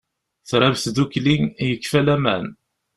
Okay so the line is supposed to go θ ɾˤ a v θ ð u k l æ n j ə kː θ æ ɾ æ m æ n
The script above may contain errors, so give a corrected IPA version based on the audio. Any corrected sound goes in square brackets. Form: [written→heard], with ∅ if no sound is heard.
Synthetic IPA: θ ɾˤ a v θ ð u k l [æ→i] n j ə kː [θ→f] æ [ɾ→l] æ m æ n